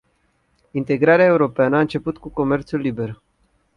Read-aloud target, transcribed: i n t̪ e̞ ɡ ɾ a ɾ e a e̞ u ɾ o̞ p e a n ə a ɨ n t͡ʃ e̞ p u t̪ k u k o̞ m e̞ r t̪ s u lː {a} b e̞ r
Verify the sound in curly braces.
incorrect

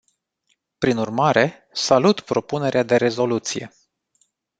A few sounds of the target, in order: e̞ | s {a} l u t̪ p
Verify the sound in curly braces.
correct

